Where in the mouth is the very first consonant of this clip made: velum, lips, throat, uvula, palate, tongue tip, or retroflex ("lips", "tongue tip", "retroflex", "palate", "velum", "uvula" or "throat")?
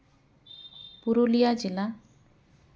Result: lips